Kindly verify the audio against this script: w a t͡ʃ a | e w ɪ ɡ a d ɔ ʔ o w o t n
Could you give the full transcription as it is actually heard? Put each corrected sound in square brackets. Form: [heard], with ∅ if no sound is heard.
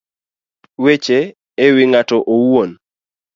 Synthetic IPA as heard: w [e] t͡ʃ [e] | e w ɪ [ŋ] a [t] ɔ ʔ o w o [∅] n